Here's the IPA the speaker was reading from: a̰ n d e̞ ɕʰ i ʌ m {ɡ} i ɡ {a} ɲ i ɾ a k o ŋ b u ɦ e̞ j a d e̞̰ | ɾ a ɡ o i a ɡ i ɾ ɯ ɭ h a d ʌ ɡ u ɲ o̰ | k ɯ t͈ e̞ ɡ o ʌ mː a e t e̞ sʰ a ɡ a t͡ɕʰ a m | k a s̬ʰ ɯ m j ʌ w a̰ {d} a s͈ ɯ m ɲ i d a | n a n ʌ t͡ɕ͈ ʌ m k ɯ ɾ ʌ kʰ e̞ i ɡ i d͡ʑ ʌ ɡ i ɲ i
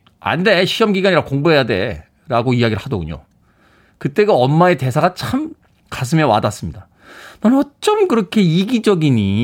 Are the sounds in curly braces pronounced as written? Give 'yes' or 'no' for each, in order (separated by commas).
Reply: yes, yes, yes